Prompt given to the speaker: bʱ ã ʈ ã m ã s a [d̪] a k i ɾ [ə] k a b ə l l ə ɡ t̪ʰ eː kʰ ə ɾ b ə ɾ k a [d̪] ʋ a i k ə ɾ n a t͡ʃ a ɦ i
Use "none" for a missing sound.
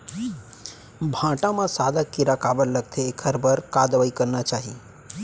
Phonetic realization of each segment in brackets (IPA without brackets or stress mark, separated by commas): d̪, a, d̪